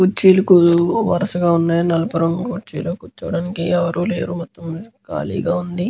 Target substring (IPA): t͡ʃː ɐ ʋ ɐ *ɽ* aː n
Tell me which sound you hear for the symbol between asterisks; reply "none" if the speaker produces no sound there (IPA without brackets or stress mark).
ɽ